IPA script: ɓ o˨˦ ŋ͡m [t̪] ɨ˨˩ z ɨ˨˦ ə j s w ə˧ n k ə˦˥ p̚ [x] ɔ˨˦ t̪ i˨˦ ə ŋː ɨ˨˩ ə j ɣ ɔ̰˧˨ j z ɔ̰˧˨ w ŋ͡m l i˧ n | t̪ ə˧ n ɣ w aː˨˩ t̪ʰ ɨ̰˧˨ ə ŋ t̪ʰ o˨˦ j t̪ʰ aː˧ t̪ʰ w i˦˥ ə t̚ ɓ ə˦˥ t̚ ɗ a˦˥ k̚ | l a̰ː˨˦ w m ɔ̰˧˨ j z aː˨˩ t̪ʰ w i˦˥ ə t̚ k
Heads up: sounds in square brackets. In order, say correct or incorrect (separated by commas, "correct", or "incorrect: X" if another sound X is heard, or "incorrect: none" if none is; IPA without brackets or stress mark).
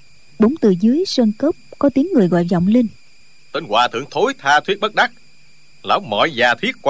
correct, incorrect: k